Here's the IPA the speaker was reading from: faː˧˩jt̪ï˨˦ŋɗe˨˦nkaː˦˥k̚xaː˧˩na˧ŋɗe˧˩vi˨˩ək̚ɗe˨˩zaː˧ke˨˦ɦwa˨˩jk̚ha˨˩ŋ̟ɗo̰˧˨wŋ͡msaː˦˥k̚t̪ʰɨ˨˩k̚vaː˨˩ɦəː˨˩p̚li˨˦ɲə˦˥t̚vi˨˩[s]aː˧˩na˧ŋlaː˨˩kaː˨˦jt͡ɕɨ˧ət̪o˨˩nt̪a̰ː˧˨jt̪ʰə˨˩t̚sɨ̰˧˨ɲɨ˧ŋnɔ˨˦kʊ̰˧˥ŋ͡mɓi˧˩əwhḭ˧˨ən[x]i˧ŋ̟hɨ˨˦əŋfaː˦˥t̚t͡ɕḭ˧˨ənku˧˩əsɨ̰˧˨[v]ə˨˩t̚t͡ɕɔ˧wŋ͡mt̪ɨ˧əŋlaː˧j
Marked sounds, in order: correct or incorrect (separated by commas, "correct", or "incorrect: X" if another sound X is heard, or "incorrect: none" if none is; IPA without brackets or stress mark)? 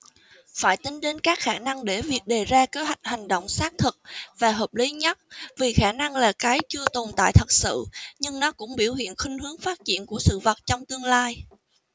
incorrect: x, correct, correct